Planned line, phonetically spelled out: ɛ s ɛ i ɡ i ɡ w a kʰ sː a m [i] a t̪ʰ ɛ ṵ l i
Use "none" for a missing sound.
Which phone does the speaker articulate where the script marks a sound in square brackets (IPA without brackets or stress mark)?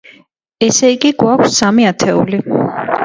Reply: i